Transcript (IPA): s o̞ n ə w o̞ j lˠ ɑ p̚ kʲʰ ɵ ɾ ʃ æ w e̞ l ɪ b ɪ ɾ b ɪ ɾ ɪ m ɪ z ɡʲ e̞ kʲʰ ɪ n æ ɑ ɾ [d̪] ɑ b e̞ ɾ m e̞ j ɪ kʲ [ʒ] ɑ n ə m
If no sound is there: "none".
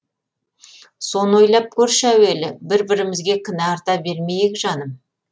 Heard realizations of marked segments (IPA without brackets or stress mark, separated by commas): t̪, ʒ